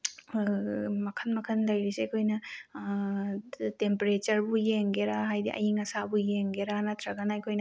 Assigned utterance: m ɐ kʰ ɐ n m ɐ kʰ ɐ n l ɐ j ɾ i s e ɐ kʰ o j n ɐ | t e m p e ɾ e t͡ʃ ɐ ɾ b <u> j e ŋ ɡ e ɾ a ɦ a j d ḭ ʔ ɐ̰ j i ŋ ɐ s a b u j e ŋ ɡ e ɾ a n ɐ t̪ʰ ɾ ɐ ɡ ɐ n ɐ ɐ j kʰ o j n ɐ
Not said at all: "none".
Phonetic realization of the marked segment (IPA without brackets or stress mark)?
u